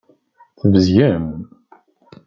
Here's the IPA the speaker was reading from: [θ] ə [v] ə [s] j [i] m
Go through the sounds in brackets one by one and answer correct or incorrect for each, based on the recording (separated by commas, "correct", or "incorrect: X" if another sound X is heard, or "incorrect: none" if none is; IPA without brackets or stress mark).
correct, correct, incorrect: z, incorrect: æ